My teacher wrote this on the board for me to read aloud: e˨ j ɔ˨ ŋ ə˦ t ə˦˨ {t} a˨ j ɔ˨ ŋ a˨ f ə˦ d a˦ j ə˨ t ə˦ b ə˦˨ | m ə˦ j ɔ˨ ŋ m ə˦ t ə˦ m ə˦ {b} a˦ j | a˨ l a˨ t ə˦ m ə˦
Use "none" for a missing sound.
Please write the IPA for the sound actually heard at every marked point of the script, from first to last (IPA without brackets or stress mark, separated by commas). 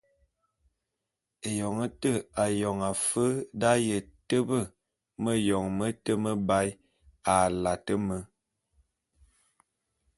none, b